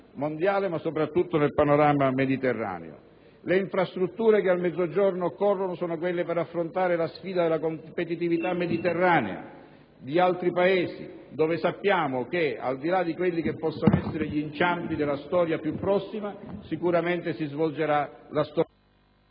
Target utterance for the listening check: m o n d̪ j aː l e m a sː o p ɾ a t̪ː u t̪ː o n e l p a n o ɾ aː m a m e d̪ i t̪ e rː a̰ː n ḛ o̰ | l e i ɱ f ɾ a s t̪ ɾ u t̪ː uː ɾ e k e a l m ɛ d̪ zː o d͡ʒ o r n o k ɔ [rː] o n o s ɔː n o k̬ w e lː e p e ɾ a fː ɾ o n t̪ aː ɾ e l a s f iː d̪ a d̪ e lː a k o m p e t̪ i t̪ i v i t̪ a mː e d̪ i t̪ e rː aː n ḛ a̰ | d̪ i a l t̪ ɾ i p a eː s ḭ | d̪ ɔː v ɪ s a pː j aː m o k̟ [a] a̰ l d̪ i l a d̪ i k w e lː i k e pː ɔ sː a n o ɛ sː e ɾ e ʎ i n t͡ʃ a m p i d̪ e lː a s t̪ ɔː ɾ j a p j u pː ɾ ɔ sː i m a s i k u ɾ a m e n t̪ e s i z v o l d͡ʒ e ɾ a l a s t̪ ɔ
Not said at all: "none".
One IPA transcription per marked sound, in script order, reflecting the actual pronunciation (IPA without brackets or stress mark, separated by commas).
rː, e